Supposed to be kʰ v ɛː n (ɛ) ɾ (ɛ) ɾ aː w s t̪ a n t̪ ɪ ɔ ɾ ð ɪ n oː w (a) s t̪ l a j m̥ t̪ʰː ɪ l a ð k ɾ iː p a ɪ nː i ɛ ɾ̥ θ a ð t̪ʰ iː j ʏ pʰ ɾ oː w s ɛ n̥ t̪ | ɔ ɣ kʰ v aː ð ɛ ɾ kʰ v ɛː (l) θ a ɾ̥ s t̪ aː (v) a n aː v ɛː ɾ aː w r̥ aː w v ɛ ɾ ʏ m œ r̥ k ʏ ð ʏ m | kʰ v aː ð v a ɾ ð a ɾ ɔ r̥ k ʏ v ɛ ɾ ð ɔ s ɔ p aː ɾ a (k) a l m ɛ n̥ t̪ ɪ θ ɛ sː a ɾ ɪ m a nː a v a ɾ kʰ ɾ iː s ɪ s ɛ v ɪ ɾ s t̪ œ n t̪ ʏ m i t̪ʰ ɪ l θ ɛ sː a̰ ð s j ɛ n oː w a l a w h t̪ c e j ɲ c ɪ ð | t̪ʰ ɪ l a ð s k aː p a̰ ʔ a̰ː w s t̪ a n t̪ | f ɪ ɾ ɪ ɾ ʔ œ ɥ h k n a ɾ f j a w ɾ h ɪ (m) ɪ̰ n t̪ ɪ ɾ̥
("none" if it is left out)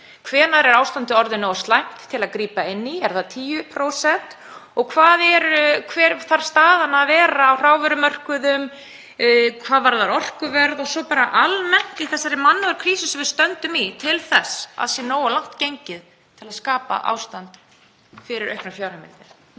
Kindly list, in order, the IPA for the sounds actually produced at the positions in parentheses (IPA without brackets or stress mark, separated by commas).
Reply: a, ɛ, a, ɾ, ð, ʔ, m